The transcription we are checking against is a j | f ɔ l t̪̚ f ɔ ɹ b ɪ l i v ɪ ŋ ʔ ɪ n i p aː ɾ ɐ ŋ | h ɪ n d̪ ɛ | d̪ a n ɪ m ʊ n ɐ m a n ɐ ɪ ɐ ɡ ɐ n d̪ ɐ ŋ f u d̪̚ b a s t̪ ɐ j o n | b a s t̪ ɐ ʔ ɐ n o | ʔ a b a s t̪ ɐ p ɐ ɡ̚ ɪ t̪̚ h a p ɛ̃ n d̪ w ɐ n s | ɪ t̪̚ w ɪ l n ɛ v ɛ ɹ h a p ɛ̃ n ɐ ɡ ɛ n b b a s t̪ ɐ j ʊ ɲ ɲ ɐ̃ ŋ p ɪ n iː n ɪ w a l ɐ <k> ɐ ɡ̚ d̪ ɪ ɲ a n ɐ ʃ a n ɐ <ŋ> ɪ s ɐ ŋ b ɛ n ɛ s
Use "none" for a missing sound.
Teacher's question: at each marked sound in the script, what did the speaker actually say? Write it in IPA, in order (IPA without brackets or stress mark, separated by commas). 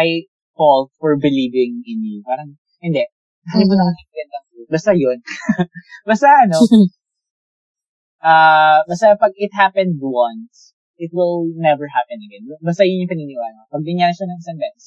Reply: p, ŋ